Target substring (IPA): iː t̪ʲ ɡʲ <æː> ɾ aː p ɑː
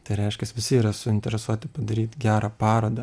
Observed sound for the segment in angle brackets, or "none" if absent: æː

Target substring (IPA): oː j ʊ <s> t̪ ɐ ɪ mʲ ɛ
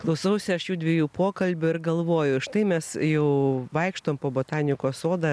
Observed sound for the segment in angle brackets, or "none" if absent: ʃ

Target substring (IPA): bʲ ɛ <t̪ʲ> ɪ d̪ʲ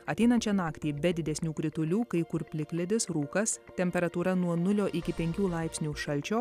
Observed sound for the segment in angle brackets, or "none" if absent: d̪ʲ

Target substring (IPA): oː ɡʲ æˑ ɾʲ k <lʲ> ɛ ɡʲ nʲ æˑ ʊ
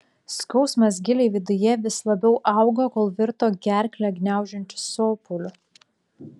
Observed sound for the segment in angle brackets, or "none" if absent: lʲ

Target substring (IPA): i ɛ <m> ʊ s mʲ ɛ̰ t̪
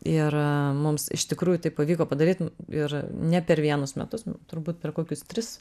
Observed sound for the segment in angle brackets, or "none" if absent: n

